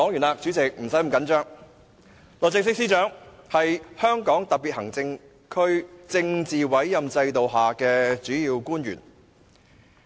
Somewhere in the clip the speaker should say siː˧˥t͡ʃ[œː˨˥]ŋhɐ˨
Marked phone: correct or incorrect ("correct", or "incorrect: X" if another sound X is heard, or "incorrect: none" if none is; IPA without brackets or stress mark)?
correct